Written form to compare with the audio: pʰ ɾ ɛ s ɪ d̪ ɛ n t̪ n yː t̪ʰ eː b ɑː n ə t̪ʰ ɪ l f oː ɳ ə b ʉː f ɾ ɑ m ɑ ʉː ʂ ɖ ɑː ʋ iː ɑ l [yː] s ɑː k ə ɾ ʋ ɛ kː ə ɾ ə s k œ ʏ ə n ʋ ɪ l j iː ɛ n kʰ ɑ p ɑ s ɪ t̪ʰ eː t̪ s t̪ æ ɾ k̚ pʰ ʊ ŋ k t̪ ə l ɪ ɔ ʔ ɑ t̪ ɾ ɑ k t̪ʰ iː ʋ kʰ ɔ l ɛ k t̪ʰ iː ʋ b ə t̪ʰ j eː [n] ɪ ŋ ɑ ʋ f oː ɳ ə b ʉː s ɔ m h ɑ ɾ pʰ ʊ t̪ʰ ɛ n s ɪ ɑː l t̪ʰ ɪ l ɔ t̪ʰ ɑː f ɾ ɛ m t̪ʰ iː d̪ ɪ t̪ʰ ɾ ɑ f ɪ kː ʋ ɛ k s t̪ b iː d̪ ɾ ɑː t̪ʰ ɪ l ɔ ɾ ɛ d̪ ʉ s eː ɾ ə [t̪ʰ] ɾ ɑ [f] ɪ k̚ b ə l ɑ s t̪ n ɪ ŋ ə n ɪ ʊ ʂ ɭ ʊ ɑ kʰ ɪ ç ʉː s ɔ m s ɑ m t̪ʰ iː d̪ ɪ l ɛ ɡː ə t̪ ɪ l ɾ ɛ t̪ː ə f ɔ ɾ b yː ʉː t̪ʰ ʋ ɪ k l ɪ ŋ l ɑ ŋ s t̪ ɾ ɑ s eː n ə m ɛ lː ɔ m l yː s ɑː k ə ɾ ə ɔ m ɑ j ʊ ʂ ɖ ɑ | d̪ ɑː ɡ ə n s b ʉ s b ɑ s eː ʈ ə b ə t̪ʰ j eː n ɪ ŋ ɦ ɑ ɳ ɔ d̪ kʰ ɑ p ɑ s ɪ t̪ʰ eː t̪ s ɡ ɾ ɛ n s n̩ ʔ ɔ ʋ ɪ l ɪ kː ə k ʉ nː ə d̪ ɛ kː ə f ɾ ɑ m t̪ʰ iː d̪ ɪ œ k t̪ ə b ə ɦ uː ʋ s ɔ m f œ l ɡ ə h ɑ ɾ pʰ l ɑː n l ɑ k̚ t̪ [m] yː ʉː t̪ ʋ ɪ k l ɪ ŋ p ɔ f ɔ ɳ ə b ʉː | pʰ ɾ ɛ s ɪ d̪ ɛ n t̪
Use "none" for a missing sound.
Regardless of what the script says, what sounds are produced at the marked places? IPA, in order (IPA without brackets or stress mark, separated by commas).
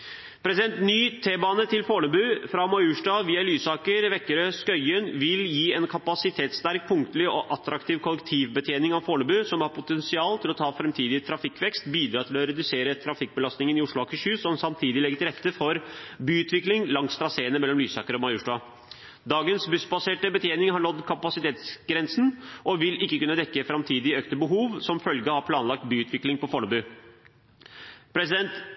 yː, n, t̪ʰ, f, b